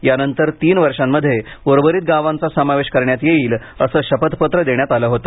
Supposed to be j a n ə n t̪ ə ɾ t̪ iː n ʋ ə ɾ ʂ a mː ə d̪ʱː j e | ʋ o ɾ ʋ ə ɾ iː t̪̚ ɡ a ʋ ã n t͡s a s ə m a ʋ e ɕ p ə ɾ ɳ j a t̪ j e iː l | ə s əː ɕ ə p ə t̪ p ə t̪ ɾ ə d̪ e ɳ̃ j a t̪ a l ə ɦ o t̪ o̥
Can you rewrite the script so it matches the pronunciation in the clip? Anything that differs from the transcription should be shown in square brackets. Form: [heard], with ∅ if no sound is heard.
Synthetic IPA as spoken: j a n ə n t̪ ə ɾ t̪ iː n ʋ ə ɾ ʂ a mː ə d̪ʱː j e | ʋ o ɾ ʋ ə ɾ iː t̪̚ ɡ a ʋ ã n t͡s a s ə m a ʋ e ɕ [k] ə ɾ ɳ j a t̪ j e iː l | ə s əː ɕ ə p ə t̪ p ə t̪ ɾ ə d̪ e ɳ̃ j a t̪ a l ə ɦ o t̪ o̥